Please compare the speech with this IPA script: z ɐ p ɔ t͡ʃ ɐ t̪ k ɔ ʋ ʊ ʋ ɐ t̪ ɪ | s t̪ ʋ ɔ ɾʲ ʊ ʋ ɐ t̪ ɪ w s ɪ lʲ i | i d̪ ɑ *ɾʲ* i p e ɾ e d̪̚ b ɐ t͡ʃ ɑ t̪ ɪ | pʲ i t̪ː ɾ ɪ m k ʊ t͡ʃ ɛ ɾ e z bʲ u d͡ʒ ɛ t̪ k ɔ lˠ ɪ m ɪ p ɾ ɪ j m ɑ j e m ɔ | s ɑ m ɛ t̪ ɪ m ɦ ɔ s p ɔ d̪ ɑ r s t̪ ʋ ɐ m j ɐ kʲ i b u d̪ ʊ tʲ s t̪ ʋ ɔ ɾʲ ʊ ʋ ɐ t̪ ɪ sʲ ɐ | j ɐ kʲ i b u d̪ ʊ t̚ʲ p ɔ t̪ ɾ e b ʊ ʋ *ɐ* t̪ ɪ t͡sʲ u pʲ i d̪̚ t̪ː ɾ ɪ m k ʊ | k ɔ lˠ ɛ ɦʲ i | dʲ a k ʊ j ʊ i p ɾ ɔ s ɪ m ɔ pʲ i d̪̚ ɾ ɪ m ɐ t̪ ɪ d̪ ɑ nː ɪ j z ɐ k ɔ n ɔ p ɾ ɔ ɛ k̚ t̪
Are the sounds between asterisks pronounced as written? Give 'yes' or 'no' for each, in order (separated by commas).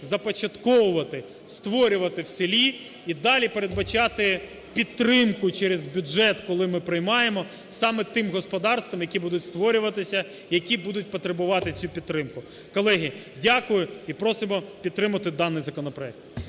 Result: no, no